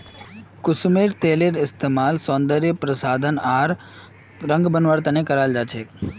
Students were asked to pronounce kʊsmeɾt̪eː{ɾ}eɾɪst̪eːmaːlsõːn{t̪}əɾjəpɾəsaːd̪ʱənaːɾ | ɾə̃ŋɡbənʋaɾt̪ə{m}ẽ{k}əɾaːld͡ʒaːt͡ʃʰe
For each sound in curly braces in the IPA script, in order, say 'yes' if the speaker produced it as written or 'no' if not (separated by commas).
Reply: no, no, no, yes